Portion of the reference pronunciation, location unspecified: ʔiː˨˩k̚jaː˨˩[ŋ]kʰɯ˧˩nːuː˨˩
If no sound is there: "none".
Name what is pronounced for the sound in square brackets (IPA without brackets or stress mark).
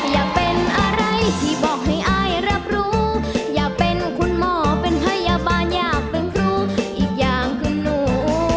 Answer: ŋ